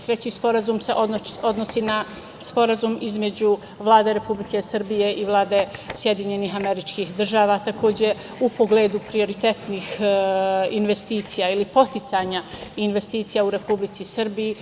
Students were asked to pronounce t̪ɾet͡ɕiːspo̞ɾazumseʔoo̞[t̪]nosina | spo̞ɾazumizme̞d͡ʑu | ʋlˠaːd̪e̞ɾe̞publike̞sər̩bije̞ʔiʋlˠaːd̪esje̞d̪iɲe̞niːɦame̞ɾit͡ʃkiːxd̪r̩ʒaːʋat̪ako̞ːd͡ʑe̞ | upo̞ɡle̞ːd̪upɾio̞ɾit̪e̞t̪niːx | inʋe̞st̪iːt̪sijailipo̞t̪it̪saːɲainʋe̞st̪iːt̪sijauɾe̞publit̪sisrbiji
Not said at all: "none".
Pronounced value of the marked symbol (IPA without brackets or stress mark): d̪